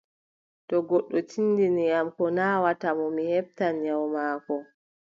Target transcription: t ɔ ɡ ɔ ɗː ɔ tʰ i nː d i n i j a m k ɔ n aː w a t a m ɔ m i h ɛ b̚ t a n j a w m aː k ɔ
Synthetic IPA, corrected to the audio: t ɔ ɡ ɔ ɗː ɔ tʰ i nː d i n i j a m k ɔ n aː w a t a m ɔ m i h ɛ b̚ t a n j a w m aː k ɔ